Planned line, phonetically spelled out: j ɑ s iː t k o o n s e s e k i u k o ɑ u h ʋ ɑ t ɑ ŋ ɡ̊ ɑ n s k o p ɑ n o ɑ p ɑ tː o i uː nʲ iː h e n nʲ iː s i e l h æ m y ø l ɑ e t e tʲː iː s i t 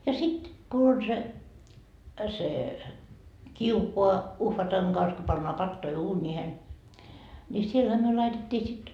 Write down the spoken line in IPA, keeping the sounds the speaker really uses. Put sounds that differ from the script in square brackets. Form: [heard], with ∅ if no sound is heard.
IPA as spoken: j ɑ s [i] t k [u] o n s e s e k i u k o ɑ u h ʋ ɑ t ɑ ŋ ɡ̊ ɑ n s k o p ɑ [nː] o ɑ p ɑ tː o i uː nʲ iː h e n nʲ [i] s i e l h æ m y ø l ɑ [i] t e tʲː iː s i t